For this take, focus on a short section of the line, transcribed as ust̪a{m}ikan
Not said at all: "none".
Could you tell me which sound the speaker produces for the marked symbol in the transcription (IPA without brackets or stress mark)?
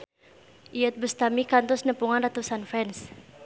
m